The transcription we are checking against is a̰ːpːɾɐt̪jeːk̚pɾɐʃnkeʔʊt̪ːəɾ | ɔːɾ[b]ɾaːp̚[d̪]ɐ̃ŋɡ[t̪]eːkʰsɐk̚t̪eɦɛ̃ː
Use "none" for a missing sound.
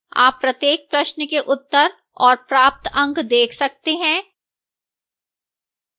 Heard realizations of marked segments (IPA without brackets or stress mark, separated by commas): p, t̪, d̪